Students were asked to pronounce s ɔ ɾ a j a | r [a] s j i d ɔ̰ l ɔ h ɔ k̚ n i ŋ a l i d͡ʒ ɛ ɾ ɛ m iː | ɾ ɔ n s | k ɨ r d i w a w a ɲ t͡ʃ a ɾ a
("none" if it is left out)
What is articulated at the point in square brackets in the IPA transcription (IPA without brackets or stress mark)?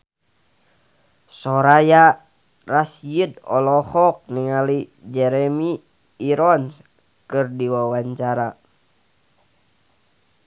a